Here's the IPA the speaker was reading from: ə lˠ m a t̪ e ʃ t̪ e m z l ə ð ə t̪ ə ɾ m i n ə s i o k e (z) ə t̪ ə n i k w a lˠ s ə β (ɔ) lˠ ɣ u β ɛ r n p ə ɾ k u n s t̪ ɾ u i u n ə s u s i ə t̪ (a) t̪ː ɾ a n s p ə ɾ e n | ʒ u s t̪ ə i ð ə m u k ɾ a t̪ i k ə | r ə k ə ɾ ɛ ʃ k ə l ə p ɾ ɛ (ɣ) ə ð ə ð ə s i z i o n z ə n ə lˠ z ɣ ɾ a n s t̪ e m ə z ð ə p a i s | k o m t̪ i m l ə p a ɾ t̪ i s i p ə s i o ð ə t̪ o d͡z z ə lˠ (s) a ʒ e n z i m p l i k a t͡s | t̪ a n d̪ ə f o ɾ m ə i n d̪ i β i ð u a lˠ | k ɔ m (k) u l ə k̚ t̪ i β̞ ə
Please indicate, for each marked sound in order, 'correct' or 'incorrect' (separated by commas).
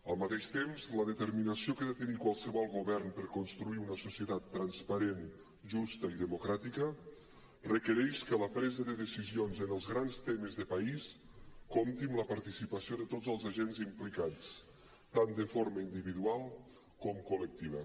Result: incorrect, correct, correct, incorrect, incorrect, correct